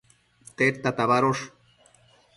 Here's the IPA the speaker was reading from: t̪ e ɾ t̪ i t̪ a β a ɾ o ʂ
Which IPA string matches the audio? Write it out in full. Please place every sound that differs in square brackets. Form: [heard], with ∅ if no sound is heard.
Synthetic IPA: t̪ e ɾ t̪ [a] t̪ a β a ɾ o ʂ